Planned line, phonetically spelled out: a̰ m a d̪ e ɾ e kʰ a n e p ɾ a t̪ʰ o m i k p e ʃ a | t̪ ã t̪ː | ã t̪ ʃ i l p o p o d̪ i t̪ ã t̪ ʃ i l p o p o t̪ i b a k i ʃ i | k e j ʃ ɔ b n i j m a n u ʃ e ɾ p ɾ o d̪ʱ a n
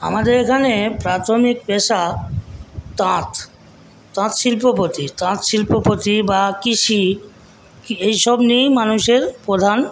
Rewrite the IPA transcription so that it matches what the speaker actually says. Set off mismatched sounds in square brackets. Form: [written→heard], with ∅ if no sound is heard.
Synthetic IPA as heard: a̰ m a d̪ e ɾ e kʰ a n e p ɾ a t̪ʰ o m i k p e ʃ a | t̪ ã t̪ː | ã t̪ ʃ i l p o p o [d̪→t̪] i t̪ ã t̪ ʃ i l p o p o t̪ i b a k i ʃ i | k e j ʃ ɔ b n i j m a n u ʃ e ɾ p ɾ o d̪ʱ a n